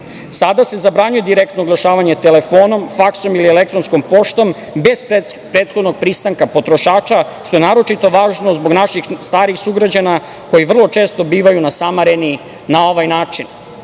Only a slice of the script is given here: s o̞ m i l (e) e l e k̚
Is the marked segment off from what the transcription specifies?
yes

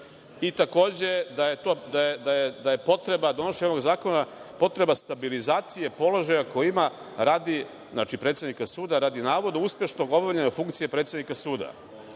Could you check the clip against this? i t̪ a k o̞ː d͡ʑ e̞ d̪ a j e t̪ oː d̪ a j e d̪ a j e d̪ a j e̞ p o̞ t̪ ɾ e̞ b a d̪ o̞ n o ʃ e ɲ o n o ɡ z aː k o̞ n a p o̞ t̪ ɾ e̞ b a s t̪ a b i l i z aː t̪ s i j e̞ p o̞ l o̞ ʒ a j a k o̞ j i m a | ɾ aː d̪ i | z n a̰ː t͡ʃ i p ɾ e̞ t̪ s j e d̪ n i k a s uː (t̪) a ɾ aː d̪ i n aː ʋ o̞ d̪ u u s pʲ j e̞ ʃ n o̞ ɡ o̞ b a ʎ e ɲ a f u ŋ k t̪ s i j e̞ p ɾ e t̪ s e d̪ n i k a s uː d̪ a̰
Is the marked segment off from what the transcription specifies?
yes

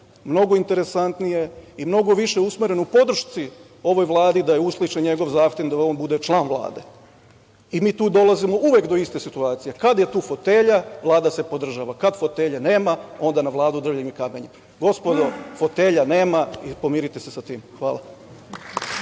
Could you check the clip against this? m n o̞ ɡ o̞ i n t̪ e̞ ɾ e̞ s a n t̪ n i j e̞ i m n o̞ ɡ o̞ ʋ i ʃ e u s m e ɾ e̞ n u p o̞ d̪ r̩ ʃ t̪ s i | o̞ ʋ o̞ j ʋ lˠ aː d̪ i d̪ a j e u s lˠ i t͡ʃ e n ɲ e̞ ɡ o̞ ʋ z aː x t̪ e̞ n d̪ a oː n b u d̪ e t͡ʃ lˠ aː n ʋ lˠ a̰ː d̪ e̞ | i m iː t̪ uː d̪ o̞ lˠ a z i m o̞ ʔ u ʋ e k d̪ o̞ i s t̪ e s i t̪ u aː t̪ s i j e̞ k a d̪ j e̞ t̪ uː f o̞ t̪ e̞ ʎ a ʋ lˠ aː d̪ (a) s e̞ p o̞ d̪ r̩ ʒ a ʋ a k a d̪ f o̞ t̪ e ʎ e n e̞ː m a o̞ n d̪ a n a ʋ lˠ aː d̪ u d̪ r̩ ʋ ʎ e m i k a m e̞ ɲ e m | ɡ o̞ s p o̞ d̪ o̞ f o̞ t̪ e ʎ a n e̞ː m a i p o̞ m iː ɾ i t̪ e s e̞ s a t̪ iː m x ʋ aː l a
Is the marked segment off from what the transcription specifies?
no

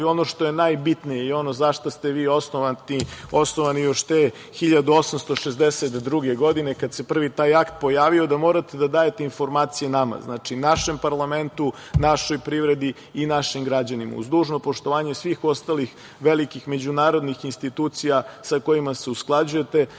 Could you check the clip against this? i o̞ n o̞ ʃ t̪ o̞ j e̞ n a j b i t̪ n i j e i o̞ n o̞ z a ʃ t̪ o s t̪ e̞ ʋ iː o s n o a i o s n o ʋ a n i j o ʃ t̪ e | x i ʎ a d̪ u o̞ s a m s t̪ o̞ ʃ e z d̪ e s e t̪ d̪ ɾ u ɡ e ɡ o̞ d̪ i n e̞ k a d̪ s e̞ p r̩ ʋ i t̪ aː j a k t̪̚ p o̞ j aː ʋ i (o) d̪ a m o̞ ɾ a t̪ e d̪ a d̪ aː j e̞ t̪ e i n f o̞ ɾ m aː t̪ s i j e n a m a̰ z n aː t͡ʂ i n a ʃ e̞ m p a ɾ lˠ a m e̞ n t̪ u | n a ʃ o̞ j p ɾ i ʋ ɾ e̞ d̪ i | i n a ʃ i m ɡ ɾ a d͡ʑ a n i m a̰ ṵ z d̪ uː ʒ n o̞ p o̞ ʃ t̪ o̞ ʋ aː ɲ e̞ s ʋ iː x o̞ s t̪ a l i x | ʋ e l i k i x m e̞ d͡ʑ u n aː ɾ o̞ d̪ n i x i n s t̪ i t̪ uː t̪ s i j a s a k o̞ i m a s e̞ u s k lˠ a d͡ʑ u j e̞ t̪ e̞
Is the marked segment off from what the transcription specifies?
no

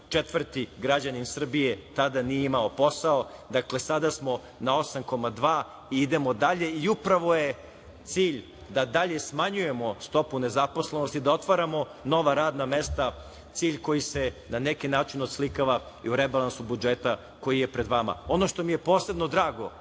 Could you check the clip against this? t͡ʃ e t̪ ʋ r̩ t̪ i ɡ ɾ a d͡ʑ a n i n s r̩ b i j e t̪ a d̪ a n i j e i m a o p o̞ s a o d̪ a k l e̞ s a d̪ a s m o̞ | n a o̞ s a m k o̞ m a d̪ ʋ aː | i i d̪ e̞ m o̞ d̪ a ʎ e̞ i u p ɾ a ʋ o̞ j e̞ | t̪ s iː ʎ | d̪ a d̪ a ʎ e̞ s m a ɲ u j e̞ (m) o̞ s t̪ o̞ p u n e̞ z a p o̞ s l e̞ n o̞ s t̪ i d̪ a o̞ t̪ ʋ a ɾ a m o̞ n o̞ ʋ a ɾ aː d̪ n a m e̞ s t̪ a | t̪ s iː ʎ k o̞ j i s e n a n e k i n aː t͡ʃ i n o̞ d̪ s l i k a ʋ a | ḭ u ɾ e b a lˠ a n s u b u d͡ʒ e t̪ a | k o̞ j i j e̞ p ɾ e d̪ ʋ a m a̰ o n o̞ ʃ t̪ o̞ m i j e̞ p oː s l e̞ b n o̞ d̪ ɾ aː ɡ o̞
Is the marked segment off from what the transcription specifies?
no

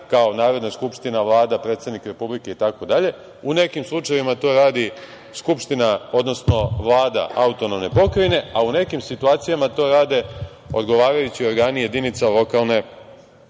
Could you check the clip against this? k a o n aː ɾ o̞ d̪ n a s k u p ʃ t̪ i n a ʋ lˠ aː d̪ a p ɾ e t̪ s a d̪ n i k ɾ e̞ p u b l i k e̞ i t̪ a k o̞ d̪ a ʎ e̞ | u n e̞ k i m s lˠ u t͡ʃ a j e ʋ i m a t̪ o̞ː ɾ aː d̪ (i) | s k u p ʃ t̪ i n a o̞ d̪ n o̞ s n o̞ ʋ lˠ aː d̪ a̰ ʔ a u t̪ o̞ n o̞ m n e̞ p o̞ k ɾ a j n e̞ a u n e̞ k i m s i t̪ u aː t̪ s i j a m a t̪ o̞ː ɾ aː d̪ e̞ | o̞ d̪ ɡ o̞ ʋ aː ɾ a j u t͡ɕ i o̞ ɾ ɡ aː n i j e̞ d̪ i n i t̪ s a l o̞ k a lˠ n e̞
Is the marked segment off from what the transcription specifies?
no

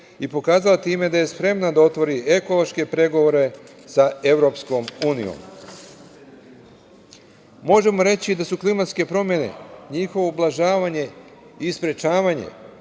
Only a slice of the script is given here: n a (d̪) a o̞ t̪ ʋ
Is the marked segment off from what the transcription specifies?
no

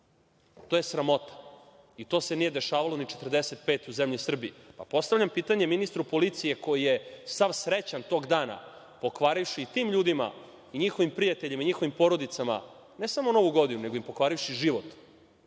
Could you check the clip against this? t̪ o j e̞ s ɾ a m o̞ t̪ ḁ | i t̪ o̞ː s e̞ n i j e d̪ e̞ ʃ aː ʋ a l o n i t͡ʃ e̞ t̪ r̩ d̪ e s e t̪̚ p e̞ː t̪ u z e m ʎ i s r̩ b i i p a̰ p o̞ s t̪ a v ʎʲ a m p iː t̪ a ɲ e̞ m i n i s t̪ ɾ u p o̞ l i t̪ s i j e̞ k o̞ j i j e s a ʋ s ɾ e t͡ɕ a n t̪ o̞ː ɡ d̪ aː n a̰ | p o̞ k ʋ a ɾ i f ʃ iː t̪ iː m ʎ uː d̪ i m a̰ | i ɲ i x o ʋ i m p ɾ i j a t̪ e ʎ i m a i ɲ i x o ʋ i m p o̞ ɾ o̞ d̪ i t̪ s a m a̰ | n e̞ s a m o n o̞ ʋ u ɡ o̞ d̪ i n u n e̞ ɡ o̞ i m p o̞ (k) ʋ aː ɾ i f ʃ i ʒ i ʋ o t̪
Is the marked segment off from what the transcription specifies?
no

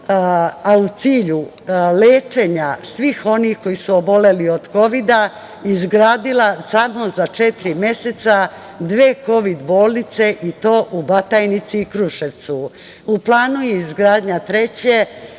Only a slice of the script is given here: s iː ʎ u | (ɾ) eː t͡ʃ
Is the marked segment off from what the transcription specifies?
yes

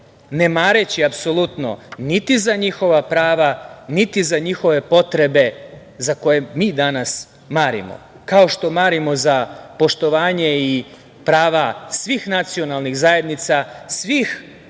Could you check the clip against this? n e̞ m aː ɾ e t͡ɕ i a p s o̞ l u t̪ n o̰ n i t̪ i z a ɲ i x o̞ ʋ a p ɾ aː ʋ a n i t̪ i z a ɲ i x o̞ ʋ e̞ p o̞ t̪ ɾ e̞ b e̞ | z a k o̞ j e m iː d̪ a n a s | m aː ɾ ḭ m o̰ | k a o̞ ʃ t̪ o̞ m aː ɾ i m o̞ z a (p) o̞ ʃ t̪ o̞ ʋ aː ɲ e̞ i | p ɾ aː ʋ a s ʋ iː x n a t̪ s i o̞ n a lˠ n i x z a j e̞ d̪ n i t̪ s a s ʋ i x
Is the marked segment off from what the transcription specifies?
no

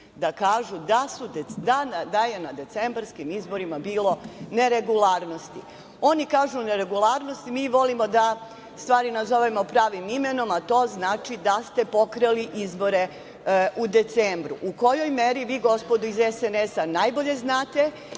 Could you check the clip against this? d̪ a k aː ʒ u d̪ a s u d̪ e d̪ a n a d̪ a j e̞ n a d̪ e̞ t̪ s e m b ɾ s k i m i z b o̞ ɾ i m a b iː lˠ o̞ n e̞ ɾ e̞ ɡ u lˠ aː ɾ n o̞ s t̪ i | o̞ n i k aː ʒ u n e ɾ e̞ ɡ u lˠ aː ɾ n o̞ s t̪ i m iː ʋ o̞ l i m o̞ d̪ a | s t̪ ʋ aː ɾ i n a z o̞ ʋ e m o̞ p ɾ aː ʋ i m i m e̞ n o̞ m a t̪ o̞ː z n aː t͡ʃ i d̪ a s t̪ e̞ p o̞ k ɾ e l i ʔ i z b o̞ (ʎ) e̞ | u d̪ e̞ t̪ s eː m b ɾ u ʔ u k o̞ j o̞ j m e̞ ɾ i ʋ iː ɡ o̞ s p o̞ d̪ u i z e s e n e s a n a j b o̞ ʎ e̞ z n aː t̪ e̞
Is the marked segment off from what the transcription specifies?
yes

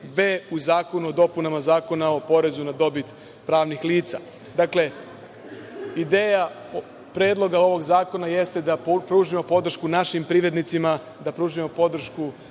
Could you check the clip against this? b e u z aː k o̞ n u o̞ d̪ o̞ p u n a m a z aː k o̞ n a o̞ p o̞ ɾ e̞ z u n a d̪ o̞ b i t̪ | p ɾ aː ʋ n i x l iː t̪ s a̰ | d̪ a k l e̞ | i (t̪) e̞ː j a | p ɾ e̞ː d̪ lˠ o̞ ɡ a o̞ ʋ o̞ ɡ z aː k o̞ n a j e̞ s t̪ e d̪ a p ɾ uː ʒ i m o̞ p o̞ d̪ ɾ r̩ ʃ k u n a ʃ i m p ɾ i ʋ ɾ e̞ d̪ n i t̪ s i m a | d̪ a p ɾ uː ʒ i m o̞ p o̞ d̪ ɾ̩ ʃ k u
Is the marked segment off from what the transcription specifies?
yes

